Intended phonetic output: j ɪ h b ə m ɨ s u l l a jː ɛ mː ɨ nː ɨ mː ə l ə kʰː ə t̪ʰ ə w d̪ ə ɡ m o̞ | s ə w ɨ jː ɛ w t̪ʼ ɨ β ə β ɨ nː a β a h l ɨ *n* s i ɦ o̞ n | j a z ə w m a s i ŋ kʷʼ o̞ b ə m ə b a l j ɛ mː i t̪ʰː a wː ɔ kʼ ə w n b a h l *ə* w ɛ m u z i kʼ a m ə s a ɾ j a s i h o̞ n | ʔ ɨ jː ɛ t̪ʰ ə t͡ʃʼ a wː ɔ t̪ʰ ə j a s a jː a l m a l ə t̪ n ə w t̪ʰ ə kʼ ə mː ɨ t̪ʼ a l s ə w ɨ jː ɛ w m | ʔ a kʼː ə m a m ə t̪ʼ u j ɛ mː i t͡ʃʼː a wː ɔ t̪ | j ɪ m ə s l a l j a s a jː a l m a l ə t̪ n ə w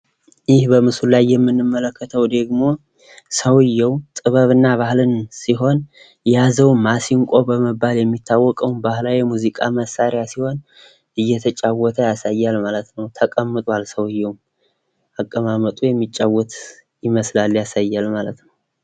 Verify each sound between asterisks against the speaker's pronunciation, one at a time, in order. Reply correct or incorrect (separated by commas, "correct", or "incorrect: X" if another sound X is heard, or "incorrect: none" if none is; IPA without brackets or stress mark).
correct, incorrect: a